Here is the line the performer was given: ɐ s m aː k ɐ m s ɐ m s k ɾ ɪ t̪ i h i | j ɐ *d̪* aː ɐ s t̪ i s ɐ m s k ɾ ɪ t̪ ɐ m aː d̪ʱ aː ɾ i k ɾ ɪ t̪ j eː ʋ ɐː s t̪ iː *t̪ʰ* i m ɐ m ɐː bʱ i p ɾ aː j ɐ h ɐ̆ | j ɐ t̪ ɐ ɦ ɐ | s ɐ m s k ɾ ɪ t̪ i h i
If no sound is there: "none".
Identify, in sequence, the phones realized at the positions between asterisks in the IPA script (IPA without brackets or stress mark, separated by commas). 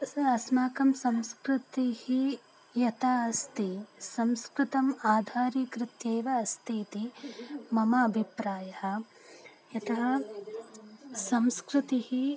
t̪, t̪